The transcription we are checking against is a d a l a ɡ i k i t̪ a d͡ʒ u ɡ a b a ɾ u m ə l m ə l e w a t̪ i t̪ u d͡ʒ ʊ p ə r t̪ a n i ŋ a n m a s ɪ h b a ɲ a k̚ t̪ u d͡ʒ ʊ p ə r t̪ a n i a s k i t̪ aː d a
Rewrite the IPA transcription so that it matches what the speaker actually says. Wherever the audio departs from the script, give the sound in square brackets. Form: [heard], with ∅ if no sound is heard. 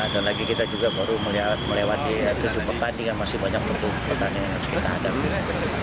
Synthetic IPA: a d a l a ɡ i k i t̪ a d͡ʒ u ɡ a b a ɾ u m ə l m ə l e w a t̪ i t̪ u d͡ʒ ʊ p ə r t̪ a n i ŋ a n m a s ɪ h b a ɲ a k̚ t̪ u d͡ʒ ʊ p ə r t̪ a n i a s k i t̪ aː d a